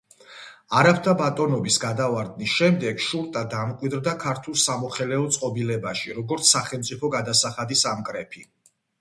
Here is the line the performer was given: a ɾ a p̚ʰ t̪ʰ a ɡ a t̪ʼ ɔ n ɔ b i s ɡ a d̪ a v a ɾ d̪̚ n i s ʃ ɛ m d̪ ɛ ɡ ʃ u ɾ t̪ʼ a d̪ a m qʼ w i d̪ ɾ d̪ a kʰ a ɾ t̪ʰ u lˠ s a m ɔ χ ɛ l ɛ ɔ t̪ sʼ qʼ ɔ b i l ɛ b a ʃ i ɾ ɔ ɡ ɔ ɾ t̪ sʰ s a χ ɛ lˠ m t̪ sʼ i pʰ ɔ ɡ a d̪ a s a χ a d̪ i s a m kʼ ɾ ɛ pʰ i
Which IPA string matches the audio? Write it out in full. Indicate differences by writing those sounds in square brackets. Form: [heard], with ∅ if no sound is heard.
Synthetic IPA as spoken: a ɾ a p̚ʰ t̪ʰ a [b] a t̪ʼ ɔ n ɔ b i s ɡ a d̪ a v a ɾ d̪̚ n i s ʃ ɛ m d̪ ɛ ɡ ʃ u ɾ t̪ʼ a d̪ a m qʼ w i d̪ ɾ d̪ a kʰ a ɾ t̪ʰ u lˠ s a m ɔ χ ɛ l ɛ ɔ t̪ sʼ qʼ ɔ b i l ɛ b a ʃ i ɾ ɔ ɡ ɔ ɾ t̪ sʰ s a χ ɛ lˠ m t̪ sʼ i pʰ ɔ ɡ a d̪ a s a χ a d̪ i s a m kʼ ɾ ɛ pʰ i